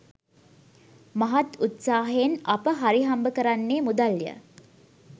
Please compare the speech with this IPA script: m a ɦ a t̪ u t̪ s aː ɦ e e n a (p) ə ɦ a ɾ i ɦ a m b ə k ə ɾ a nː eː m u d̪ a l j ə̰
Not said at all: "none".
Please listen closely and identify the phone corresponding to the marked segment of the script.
p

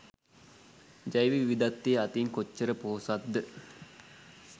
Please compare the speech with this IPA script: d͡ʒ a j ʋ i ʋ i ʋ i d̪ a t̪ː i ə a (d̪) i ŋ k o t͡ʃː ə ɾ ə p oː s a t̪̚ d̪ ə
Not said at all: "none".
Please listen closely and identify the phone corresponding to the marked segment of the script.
t̪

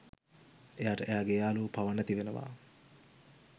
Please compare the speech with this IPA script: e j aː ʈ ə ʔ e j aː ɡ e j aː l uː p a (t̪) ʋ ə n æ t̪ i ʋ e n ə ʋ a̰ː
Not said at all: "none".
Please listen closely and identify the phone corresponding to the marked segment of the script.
none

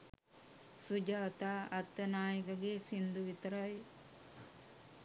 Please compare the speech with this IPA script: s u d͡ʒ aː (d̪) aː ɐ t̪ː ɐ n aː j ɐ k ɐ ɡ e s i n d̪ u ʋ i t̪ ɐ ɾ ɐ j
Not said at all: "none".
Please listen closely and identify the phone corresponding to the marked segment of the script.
t̪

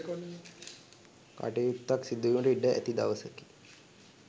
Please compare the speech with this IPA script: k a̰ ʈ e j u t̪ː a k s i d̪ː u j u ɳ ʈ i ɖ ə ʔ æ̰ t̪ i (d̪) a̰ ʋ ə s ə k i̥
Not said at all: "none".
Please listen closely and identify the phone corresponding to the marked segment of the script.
d̪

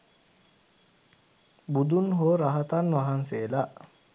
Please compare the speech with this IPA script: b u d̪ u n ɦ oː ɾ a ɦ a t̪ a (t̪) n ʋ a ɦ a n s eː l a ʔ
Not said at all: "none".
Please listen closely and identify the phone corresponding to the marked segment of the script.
none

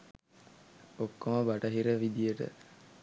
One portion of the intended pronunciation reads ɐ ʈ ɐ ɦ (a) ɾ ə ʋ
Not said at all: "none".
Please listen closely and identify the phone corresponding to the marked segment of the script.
i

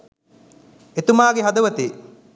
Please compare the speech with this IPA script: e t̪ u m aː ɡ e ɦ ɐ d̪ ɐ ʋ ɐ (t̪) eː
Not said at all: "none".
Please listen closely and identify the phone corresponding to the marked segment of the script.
t̪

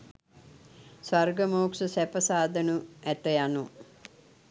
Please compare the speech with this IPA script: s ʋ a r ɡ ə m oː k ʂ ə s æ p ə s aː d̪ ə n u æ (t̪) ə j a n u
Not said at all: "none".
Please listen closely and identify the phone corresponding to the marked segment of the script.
t̪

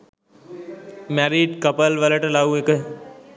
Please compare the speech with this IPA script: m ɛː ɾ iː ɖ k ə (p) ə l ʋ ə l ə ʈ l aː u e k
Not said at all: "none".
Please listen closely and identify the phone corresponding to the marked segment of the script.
p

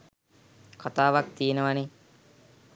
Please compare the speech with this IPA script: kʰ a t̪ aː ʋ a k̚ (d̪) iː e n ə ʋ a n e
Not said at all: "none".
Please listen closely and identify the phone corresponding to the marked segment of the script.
t̪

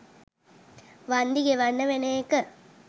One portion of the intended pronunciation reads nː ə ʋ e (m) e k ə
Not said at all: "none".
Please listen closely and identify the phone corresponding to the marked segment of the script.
n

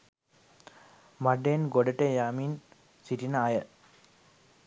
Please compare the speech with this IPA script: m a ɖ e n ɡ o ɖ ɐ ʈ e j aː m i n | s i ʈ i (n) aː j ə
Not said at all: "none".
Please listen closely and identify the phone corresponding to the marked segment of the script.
n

